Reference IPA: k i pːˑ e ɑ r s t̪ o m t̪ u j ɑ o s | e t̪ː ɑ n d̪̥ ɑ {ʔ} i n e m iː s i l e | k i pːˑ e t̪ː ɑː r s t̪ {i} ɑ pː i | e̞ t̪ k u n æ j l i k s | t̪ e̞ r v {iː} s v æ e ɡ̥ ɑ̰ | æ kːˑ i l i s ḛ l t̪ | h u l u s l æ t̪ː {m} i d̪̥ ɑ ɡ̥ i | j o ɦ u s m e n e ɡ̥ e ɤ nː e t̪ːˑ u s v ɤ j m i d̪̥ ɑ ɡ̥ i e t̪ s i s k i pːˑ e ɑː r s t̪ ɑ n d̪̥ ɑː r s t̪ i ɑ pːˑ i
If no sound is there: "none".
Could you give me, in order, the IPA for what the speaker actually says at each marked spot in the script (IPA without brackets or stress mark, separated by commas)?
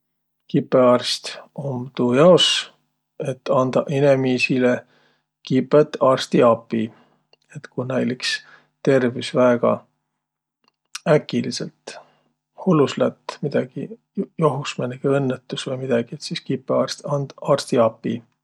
ʔ, i, i, m